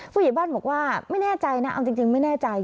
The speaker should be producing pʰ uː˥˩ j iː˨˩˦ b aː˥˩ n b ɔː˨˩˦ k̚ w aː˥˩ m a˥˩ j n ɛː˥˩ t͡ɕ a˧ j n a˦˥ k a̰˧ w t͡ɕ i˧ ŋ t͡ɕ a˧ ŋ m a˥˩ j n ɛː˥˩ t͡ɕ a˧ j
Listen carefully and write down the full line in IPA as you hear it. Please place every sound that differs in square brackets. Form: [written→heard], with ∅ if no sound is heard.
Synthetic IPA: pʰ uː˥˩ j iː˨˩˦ b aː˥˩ n b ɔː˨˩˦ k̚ w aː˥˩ m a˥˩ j n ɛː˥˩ t͡ɕ a˧ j n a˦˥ [k→ʔ] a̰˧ w t͡ɕ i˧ ŋ t͡ɕ [a˧→i˧] ŋ m a˥˩ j n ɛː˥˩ t͡ɕ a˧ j

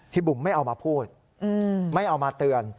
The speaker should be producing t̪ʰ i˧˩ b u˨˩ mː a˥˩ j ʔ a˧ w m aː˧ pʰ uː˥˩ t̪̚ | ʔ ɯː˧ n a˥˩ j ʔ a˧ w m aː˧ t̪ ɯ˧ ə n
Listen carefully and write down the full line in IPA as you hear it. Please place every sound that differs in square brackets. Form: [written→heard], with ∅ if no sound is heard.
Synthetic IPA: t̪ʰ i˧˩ b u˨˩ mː a˥˩ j ʔ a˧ w m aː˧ pʰ uː˥˩ t̪̚ | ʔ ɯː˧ [n→m] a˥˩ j ʔ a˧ w m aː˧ t̪ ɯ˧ ə n

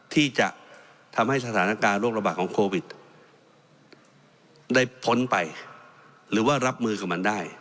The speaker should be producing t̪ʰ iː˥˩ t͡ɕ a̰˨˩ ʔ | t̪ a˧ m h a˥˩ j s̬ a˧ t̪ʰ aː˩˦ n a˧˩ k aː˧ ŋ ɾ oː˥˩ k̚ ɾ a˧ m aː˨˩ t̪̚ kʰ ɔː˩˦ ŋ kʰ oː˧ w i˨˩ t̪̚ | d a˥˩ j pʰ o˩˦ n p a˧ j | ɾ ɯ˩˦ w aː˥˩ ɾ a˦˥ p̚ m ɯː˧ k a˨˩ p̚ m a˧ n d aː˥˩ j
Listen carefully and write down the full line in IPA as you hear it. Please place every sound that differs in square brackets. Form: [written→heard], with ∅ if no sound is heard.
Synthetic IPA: t̪ʰ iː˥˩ t͡ɕ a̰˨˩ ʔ | [t̪→t̪ʰ] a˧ m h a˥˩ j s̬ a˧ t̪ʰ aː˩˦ n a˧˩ k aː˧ [ŋ→n] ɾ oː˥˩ k̚ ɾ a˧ [m→b] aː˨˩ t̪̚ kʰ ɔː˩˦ ŋ kʰ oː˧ w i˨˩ t̪̚ | d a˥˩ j pʰ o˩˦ n p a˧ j | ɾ [ɯ˩˦→ɯː˩˦] w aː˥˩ ɾ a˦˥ p̚ m ɯː˧ k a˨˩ p̚ m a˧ n d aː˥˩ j

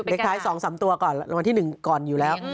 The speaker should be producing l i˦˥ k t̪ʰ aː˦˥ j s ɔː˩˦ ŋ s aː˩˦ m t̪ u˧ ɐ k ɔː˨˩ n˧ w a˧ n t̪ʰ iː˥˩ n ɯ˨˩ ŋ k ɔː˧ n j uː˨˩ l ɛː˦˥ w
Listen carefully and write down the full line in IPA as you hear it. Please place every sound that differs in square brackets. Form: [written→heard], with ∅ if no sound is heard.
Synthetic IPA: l [i˦˥→e˦˥] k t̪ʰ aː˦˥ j s ɔː˩˦ ŋ s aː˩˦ m t̪ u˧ ɐ k ɔː˨˩ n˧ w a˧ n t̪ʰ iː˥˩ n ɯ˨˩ ŋ k [ɔː˧→ɔː˨˩] n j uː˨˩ l ɛː˦˥ w

